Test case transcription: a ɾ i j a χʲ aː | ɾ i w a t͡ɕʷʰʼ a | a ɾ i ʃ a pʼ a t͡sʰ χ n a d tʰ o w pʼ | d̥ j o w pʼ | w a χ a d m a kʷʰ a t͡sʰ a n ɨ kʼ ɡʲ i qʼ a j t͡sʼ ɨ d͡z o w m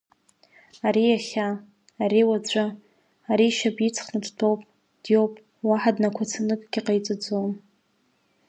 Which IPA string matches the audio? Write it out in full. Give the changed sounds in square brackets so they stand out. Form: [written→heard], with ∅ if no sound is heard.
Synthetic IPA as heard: a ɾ i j a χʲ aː | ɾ i w a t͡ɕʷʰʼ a | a ɾ i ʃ a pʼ [a→i] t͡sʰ χ n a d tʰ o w pʼ | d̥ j o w pʼ | w a [χ→ħ] a d [m→n] a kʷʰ a t͡sʰ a n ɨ kʼ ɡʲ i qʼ a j t͡sʼ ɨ d͡z o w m